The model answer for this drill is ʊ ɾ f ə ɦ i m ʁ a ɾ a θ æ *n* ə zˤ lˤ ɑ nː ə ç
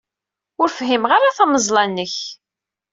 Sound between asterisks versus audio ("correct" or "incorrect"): incorrect